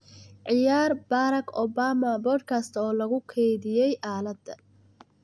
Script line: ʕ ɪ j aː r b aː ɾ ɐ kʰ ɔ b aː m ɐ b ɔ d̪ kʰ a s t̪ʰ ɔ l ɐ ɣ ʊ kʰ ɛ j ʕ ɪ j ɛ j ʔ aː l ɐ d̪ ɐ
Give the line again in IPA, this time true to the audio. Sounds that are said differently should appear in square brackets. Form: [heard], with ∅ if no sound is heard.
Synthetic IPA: ʕ ɪ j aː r b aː ɾ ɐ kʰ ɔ b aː m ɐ b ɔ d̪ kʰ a s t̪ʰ [ɔː] l ɐ ɣ ʊ kʰ ɛ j [ð] ɪ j ɛ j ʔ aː l ɐ d̪ ɐ